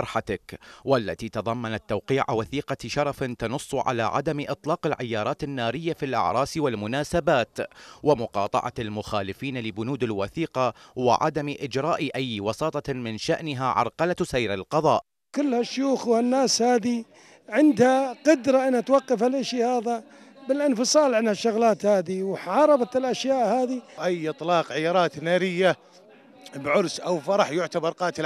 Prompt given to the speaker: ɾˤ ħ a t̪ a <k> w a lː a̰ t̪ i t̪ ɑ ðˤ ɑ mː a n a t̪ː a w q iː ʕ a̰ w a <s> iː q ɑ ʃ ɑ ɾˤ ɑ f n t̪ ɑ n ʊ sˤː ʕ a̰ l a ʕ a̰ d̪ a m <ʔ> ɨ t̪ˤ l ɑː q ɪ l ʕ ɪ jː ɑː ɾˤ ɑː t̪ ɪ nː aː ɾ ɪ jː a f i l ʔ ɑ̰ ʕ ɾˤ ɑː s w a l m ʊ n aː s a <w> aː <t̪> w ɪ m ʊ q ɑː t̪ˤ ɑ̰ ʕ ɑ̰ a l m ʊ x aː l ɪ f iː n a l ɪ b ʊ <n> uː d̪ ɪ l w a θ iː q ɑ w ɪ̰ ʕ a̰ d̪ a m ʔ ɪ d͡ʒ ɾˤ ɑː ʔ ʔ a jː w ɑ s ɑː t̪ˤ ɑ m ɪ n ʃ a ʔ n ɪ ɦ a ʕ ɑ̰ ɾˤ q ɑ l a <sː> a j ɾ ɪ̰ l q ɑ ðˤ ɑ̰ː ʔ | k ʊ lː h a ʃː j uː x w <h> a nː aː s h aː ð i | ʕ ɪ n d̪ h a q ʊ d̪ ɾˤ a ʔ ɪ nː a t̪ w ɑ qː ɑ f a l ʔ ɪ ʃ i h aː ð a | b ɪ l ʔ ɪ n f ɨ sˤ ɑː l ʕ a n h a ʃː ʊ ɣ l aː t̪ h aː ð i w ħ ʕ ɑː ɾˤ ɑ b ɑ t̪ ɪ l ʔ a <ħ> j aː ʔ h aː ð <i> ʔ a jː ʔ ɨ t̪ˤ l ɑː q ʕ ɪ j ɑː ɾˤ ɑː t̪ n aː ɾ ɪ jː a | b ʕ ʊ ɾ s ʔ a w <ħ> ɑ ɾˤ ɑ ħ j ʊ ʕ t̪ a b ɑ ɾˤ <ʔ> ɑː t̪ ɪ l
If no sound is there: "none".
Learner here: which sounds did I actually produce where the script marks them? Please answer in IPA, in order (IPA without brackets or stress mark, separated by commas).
k, θ, ʔ, b, t̪, n, s, h, ʃ, i, f, q